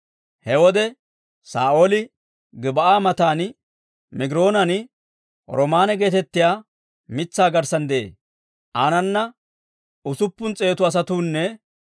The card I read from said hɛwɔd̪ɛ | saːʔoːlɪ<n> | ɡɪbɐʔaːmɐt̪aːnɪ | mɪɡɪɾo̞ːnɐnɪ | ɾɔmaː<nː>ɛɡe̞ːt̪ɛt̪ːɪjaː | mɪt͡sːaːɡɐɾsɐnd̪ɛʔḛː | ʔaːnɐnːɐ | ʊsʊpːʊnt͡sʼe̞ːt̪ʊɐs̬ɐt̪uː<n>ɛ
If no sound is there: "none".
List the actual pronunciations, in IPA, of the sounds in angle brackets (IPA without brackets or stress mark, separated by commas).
none, n, nː